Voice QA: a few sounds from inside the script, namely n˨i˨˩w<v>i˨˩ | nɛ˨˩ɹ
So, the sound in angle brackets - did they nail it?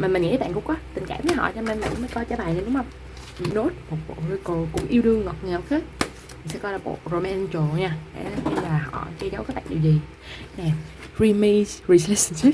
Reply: no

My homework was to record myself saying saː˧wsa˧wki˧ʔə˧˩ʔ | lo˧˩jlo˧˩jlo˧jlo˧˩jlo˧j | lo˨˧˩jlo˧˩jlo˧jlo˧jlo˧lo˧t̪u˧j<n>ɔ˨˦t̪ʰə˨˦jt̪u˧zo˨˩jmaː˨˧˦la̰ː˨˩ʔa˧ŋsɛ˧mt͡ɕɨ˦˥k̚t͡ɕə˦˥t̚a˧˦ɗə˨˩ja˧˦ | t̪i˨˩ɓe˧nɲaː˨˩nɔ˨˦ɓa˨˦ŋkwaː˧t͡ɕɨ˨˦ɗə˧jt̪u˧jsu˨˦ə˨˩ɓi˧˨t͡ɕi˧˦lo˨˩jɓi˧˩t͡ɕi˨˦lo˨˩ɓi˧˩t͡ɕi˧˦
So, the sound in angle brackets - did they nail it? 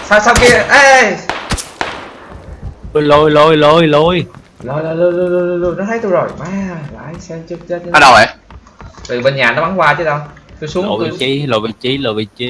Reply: yes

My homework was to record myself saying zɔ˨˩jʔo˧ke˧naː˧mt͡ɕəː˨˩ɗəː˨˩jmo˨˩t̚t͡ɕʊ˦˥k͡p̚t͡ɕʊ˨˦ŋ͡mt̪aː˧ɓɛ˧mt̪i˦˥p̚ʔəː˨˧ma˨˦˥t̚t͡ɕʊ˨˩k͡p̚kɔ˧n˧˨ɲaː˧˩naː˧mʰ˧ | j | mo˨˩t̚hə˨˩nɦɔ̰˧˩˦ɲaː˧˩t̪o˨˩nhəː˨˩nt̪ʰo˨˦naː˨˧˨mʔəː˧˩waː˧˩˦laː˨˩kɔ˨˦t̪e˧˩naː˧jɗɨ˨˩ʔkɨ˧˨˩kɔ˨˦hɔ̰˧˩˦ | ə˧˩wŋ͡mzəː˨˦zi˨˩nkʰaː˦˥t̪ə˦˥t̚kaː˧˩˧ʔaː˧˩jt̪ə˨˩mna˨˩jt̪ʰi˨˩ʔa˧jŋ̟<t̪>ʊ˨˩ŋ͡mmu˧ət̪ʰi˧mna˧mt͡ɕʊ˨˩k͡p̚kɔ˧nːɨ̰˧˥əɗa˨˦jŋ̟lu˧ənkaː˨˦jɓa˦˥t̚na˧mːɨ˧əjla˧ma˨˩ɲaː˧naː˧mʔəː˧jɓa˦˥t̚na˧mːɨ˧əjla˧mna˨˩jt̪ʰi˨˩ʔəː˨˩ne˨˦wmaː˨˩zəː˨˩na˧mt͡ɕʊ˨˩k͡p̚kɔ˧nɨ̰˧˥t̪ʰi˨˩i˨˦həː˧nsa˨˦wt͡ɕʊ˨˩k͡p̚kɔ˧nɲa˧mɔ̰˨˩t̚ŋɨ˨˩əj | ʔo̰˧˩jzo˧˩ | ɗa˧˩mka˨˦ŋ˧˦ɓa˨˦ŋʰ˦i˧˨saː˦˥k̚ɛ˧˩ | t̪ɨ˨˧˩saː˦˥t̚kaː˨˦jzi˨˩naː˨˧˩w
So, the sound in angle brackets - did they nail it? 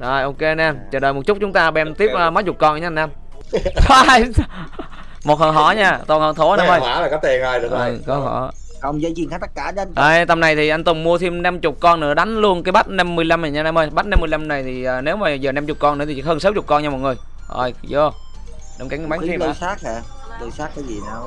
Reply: yes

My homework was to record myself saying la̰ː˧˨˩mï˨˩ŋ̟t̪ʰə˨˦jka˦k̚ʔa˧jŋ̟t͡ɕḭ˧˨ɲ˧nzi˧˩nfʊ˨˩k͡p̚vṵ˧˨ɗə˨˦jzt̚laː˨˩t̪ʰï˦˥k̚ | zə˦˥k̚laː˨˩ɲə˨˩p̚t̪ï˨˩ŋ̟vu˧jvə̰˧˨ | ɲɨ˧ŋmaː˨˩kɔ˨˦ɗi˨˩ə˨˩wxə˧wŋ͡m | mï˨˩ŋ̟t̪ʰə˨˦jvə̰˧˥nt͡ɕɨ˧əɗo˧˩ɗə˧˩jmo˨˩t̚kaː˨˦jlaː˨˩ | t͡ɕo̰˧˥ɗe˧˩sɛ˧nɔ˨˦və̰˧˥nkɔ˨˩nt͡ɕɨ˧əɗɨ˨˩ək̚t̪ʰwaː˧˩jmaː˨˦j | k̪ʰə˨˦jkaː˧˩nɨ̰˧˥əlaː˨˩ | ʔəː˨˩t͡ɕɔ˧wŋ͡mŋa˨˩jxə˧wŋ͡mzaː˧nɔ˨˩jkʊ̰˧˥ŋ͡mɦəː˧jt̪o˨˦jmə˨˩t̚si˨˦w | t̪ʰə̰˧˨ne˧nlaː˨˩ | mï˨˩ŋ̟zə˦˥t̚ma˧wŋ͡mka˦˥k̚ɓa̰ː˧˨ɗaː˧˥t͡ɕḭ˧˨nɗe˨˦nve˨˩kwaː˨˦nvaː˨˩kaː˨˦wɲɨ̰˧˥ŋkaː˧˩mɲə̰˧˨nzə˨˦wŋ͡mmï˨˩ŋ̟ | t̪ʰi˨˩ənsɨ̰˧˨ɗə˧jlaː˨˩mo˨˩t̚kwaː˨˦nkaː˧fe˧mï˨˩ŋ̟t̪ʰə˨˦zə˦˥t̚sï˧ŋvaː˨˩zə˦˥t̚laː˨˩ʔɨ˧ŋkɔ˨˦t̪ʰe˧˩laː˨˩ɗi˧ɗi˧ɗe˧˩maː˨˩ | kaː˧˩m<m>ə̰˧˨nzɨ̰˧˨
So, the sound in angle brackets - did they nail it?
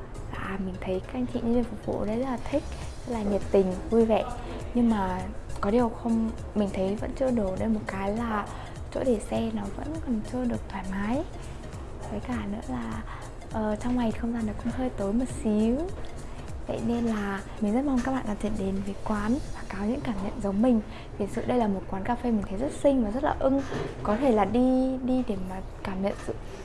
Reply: no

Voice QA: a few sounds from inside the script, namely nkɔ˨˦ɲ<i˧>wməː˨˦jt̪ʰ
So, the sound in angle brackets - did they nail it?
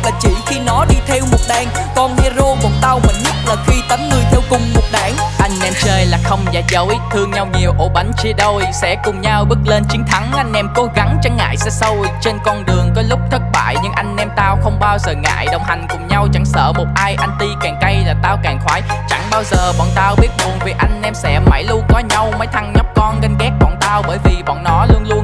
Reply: no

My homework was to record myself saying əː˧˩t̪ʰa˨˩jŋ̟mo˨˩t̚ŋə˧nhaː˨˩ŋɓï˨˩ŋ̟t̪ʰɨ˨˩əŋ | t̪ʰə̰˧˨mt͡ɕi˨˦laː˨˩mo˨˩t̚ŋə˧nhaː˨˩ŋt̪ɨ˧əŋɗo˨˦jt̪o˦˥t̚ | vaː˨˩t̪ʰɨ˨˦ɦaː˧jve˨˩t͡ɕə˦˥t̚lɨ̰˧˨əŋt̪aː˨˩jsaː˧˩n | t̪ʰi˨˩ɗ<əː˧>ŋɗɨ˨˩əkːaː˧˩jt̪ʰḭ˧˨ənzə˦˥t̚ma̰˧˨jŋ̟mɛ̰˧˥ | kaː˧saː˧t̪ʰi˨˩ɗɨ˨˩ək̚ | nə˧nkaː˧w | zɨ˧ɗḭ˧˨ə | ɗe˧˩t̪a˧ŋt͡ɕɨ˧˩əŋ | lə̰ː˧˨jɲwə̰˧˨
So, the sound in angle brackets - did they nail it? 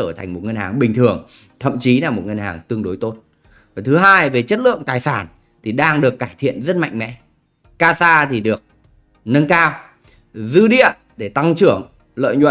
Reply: no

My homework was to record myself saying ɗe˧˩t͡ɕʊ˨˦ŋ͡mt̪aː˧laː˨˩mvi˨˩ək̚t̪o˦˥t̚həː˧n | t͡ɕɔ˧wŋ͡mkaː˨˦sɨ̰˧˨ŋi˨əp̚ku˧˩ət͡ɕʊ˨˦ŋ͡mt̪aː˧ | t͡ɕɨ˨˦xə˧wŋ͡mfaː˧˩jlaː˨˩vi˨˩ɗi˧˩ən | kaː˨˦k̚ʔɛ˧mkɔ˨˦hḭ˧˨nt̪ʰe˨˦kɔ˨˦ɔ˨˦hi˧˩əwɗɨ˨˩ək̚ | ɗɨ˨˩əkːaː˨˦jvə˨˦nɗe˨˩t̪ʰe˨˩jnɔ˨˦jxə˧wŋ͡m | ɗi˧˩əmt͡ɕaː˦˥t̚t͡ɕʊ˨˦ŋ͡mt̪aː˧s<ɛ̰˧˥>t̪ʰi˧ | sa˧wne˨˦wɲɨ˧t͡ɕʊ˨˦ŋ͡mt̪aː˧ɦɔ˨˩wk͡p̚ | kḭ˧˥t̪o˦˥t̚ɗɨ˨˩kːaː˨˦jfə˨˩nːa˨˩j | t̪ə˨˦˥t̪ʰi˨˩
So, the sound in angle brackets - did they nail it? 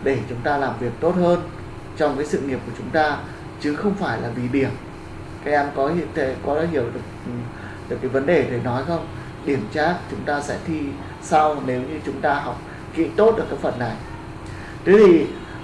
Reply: yes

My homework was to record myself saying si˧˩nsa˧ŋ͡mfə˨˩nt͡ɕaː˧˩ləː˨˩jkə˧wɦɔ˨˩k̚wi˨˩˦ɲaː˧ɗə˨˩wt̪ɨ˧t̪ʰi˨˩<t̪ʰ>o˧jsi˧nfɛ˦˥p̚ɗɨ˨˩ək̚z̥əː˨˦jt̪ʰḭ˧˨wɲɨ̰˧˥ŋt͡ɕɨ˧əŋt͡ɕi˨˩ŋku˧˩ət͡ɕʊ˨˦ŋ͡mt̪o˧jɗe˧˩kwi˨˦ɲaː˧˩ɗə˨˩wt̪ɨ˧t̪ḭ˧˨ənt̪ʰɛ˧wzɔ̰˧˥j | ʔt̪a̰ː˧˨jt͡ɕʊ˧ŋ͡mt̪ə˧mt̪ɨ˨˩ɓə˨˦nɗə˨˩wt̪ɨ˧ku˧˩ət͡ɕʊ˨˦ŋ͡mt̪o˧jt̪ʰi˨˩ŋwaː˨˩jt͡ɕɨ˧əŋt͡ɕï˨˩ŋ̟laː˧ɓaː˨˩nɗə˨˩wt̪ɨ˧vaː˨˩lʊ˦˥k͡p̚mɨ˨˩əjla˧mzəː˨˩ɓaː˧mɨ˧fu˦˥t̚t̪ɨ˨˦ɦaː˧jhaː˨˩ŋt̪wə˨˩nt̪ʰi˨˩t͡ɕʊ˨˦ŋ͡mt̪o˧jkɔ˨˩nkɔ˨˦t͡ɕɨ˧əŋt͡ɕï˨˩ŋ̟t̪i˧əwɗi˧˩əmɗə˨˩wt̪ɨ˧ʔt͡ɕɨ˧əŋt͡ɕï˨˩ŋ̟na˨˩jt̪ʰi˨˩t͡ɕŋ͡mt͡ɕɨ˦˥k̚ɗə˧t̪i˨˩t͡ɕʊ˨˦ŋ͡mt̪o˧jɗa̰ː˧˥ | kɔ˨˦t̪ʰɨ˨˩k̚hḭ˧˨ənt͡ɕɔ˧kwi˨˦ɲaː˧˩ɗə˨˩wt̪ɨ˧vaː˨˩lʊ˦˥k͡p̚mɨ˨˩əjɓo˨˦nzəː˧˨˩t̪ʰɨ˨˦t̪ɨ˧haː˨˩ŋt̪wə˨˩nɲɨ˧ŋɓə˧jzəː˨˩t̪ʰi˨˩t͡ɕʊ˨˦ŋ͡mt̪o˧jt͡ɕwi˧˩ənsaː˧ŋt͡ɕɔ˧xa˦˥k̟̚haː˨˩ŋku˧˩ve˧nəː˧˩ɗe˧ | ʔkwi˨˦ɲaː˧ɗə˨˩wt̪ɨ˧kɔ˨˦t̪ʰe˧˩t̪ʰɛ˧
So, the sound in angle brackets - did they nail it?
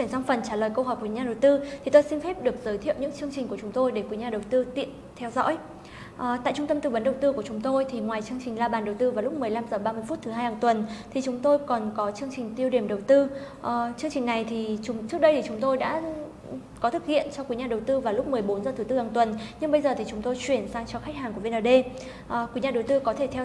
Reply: no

